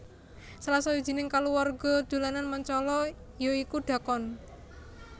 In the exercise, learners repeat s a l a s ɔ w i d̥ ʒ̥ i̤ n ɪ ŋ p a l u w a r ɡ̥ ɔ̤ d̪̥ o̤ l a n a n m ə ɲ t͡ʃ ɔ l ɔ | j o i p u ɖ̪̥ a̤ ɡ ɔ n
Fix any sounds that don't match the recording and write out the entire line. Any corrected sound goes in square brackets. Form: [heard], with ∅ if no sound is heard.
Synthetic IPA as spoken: s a l a s ɔ w i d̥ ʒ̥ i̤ n ɪ ŋ [k] a l u w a r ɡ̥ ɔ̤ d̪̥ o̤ l a n a n m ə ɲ t͡ʃ ɔ l ɔ | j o i [k] u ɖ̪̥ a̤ [k] ɔ n